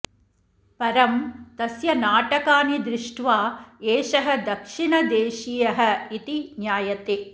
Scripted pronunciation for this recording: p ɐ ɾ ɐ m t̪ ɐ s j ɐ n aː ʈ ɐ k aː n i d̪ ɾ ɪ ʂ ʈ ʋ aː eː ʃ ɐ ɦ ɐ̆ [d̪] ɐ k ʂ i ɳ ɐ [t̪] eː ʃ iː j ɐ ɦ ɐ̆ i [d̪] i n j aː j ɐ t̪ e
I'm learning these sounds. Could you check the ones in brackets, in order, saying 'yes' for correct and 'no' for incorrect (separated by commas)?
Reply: yes, no, no